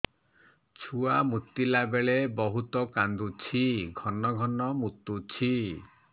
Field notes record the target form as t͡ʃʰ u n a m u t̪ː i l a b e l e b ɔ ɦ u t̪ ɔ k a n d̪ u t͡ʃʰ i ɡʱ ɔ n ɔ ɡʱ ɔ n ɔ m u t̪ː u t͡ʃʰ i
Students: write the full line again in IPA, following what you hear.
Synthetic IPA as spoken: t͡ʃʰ u a m u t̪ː i l a b e ɭ e b ɔ ɦ u t̪ ɔ k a n d̪ u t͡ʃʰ i ɡʱ ɔ n ɔ ɡʱ ɔ n ɔ m u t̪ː u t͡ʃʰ i